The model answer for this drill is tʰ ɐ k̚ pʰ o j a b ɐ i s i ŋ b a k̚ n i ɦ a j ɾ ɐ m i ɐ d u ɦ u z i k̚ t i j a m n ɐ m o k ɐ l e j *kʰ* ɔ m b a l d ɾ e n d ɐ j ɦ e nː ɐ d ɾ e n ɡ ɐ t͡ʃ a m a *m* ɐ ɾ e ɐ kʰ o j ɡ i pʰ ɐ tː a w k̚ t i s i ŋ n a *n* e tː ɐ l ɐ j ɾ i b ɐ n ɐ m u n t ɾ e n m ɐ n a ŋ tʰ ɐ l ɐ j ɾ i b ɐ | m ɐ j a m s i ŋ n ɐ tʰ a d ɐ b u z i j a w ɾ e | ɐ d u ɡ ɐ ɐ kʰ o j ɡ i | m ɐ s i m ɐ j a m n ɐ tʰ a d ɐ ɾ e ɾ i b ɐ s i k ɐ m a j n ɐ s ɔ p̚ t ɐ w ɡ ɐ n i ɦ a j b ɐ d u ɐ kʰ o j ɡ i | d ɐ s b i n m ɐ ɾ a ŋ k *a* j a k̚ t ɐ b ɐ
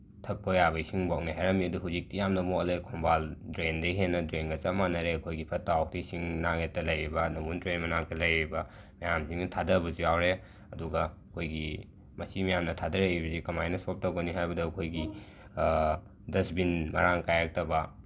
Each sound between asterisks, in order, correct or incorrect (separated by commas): correct, incorrect, incorrect, correct